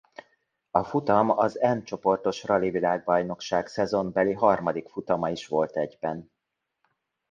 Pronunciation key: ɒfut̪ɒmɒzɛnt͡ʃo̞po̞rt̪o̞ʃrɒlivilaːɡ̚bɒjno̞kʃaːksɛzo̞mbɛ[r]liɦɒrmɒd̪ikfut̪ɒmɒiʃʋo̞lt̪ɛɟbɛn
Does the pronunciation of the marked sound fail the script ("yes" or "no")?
yes